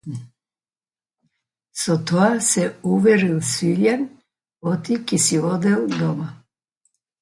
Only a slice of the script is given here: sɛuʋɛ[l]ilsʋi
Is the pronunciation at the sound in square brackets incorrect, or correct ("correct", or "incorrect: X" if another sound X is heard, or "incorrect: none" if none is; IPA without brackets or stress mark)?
incorrect: ɾ